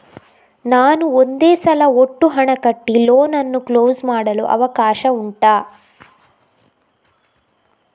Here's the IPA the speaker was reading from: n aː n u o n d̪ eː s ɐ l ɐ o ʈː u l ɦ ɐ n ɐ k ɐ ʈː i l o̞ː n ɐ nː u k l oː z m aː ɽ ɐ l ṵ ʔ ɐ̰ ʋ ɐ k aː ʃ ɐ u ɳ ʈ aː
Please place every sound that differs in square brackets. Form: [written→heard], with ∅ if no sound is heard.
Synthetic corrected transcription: n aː n u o n d̪ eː s ɐ l ɐ o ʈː u [l→∅] ɦ ɐ [n→ɳ] ɐ k ɐ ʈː i l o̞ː n ɐ nː u k l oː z m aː ɽ ɐ l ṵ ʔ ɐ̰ ʋ ɐ k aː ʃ ɐ u ɳ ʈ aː